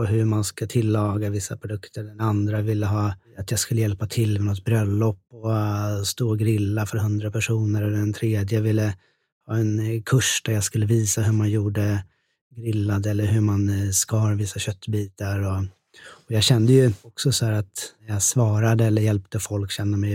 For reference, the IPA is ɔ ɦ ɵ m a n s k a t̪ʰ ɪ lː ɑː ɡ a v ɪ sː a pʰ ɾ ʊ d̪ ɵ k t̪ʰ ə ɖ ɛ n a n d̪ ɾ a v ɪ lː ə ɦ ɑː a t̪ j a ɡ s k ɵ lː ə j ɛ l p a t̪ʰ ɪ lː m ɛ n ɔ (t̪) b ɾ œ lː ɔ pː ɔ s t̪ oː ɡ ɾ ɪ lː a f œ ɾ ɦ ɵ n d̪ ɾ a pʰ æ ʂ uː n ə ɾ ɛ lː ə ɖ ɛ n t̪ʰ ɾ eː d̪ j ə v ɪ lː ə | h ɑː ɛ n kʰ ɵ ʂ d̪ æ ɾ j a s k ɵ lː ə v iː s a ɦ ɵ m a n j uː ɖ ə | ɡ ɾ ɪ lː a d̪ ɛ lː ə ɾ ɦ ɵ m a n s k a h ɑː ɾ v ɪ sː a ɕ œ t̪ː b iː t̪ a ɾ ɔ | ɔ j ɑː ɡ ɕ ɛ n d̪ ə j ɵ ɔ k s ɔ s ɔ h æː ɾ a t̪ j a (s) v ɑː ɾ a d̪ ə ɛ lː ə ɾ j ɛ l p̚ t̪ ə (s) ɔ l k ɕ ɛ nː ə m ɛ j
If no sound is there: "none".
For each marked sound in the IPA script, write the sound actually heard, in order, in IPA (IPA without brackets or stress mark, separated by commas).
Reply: t̪, s, f